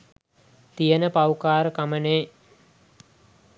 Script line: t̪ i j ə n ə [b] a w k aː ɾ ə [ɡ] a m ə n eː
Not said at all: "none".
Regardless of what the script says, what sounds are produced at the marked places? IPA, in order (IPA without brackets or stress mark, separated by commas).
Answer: p, k